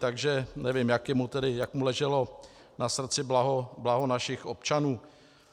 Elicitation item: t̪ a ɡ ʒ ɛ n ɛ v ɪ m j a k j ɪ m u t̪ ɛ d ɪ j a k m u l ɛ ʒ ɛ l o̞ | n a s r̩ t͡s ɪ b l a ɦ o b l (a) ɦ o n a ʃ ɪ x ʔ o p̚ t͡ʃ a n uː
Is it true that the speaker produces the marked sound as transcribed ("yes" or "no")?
yes